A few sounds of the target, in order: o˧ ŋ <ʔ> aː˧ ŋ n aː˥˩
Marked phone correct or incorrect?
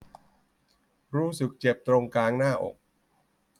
incorrect